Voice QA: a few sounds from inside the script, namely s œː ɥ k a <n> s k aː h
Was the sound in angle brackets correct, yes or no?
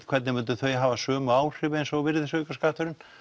no